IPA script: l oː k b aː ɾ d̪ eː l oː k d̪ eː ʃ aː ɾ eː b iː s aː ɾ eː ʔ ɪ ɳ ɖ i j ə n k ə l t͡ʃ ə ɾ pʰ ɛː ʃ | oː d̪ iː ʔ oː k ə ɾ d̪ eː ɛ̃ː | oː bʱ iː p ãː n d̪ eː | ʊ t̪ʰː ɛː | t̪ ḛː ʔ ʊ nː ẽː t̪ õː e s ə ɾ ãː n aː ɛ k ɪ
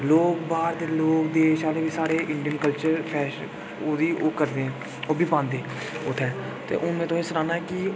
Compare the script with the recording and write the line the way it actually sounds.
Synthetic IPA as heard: l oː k b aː ɾ d̪ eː l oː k d̪ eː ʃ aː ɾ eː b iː s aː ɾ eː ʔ ɪ ɳ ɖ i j ə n k ə l t͡ʃ ə ɾ pʰ ɛː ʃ | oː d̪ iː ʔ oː k ə ɾ d̪ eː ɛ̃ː | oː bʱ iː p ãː n d̪ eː | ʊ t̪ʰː ɛː | t̪ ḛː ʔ ʊ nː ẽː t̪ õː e s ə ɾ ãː n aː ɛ k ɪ